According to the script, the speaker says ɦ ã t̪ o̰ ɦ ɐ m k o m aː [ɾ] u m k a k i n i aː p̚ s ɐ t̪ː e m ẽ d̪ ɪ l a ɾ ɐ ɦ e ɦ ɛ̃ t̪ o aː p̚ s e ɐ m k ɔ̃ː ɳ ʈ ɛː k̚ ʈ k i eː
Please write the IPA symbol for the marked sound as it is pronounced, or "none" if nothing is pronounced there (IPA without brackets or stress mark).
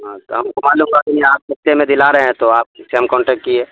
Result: l